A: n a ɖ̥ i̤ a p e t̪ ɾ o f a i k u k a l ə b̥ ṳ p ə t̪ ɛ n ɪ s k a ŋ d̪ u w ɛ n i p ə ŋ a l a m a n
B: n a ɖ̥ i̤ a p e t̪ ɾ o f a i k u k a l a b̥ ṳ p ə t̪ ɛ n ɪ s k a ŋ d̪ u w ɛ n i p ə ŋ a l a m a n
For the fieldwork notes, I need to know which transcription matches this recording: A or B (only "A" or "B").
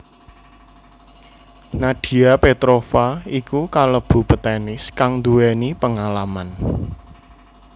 A